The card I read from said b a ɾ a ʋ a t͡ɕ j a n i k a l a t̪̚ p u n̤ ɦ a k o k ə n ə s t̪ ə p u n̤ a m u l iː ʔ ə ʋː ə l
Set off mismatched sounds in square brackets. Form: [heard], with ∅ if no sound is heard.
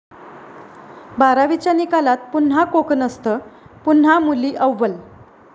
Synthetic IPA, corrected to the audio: b a ɾ a ʋ [i] t͡ɕ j a n i k a l a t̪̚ p u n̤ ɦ a k o k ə n ə s t̪ ə p u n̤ a m u l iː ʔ ə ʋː ə l